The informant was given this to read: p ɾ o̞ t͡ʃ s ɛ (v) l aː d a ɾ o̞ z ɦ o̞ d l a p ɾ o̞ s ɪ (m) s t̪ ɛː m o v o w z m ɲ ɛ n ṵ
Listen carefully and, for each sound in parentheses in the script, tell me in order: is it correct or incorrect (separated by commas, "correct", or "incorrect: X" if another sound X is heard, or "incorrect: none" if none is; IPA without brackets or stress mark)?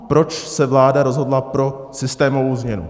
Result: correct, incorrect: none